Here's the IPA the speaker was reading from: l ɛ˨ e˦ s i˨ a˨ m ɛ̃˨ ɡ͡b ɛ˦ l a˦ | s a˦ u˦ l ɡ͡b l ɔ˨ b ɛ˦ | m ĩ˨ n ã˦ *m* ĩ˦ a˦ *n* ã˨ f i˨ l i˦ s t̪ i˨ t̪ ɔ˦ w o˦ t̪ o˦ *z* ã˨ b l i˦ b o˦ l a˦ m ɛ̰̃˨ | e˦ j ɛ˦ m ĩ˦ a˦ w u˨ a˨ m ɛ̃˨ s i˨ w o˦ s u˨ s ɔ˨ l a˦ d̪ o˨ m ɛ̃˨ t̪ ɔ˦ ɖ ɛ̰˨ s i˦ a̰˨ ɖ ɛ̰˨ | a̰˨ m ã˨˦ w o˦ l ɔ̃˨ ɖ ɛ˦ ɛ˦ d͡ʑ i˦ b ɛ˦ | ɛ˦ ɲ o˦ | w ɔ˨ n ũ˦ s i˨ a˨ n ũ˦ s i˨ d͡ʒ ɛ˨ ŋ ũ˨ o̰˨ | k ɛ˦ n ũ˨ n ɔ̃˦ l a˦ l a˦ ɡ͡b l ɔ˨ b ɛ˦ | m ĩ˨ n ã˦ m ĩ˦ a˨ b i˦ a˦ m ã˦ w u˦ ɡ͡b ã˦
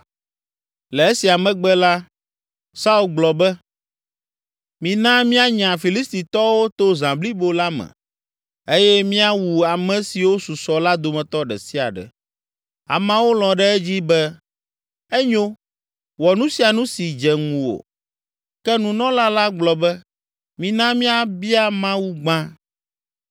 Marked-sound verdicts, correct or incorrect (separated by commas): correct, incorrect, correct